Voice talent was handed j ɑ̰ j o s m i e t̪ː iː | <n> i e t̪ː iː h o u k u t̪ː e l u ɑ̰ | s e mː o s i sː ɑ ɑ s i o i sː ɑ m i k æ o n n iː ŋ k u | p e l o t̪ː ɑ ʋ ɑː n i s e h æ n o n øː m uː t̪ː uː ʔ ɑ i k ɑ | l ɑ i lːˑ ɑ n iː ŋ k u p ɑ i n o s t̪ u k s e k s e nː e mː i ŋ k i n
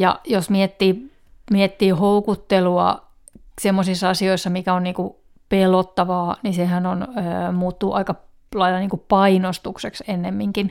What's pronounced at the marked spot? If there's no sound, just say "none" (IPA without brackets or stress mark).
m